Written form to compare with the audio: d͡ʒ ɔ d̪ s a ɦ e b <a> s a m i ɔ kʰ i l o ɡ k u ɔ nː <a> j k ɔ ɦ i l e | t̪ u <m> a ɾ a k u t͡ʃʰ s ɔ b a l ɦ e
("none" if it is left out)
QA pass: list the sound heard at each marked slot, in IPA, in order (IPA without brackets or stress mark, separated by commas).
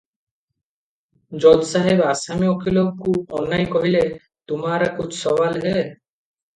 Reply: a, a, m